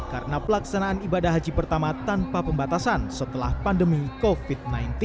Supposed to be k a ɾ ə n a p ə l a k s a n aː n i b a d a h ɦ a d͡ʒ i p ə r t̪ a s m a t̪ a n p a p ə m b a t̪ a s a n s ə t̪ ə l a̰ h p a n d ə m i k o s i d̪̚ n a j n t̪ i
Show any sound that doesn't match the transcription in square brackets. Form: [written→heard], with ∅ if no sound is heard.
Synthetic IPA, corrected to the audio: k a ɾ ə n a p ə l a k s a n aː n i b a d a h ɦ a d͡ʒ i p ə r t̪ a [s→∅] m a t̪ a n p a p ə m b a t̪ a s a n s ə t̪ ə l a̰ h p a n d ə m i k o [s→f] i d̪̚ n a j n t̪ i